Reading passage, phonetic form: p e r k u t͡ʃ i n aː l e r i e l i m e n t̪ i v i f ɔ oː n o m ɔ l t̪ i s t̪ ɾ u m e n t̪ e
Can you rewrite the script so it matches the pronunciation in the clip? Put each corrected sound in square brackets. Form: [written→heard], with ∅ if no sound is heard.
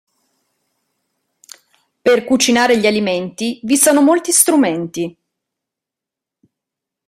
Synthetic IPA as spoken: p e r k u t͡ʃ i n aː [l→ɾ] e [r→ʎ] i [e→a] l i m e n t̪ i v i [f→s] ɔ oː n o m [ɔ→o] l t̪ i s t̪ ɾ u m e n t̪ [e→i]